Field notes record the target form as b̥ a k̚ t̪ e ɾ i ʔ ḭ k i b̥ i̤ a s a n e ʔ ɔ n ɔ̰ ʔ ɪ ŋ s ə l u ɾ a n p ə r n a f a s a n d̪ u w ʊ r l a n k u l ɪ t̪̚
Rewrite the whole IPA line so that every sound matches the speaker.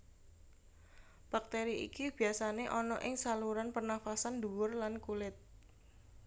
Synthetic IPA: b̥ a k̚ t̪ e ɾ i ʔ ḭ k i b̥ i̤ a s a n e ʔ ɔ n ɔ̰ ʔ ɪ ŋ s a l u ɾ a n p ə r n a f a s a n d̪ u w ʊ r l a n k u l ɪ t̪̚